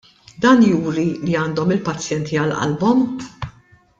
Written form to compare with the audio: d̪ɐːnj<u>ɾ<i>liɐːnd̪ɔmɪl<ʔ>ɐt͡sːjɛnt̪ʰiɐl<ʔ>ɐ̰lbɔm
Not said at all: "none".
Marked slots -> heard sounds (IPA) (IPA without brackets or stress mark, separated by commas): uː, i, p, ʔ